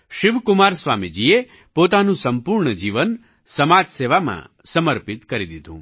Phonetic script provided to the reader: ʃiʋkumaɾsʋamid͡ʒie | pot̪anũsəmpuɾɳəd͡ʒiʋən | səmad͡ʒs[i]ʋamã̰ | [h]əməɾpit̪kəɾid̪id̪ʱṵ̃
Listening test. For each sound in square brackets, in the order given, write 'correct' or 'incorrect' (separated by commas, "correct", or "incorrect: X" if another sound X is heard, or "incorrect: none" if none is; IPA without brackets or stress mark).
incorrect: e, incorrect: s